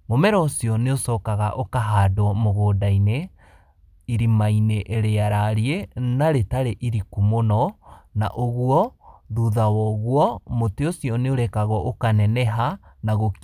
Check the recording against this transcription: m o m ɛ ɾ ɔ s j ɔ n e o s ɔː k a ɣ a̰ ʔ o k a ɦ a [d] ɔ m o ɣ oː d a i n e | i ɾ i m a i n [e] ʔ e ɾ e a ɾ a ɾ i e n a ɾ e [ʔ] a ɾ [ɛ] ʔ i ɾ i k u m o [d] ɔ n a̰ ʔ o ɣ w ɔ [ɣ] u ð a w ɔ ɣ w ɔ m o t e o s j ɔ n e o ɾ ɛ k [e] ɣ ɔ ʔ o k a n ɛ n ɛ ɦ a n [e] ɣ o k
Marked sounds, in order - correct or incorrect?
correct, correct, incorrect, incorrect, incorrect, incorrect, incorrect, incorrect

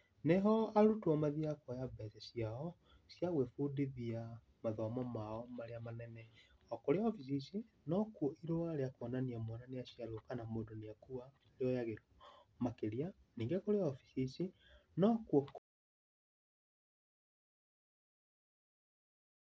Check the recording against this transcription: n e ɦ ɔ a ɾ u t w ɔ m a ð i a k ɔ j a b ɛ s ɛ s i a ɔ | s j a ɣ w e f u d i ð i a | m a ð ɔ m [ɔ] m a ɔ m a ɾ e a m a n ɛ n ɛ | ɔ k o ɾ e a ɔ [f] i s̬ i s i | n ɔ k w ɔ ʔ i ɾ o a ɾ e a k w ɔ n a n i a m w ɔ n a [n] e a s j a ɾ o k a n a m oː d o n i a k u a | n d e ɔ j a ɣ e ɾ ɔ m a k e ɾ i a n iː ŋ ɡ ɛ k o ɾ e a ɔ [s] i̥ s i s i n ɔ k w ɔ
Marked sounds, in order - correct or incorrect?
correct, correct, correct, incorrect

